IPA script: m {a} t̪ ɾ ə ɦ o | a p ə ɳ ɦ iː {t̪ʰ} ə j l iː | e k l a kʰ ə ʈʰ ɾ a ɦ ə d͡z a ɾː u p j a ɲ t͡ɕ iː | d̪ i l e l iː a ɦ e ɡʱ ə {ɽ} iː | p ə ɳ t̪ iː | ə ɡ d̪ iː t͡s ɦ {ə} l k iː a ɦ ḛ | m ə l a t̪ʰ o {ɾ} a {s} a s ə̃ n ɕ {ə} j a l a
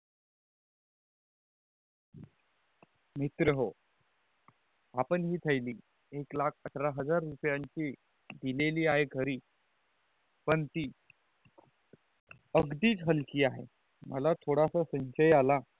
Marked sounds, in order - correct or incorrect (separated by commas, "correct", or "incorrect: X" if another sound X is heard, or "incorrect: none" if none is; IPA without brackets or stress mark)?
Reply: incorrect: i, correct, incorrect: ɾ, correct, incorrect: ɽ, correct, correct